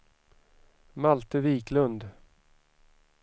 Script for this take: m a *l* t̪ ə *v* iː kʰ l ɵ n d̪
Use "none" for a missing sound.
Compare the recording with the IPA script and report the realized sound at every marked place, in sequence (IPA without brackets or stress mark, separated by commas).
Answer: l, v